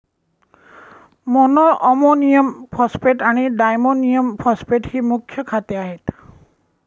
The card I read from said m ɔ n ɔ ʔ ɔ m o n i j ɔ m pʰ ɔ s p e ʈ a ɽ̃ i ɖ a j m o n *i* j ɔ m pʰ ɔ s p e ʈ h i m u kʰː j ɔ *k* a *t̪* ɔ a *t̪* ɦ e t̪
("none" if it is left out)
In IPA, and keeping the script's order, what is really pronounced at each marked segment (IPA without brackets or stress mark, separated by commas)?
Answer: i, kʰ, t̪, none